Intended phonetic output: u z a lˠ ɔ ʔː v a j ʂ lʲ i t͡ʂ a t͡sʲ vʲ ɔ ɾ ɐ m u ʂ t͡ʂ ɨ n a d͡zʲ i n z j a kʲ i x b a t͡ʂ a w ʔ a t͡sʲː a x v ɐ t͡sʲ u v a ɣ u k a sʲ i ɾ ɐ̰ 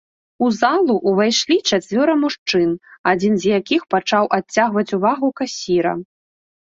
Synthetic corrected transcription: u z a lˠ u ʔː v a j ʂ lʲ i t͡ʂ a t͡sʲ vʲ ɔ ɾ ɐ m u ʂ t͡ʂ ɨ n a d͡zʲ i n z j a kʲ i x p a t͡ʂ a w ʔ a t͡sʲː a ɣ v ɐ t͡sʲ u v a ɣ u k a sʲ i ɾ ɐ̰